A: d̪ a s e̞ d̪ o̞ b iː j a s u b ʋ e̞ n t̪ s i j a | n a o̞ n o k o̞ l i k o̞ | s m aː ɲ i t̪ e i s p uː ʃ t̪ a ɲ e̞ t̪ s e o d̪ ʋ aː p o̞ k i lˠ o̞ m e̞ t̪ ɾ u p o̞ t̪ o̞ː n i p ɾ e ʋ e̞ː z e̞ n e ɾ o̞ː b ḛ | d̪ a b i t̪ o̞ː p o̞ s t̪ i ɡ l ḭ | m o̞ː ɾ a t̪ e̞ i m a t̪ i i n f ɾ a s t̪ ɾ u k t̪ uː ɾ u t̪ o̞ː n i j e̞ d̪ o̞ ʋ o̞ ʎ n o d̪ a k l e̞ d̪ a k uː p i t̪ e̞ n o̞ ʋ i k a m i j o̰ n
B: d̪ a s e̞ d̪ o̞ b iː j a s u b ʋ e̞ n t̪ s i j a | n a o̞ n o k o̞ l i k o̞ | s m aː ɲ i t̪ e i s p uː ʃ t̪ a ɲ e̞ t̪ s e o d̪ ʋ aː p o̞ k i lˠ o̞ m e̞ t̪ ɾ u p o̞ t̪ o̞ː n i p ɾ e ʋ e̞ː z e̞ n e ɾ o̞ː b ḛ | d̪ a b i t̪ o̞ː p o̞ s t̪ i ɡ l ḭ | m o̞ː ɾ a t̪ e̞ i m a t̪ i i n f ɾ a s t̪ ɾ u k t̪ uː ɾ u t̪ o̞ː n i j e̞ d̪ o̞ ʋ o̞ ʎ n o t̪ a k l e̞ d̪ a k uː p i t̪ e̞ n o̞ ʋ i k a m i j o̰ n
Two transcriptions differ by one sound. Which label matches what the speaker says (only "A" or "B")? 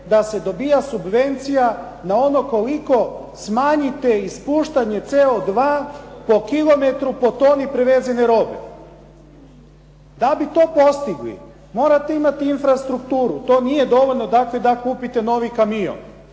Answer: A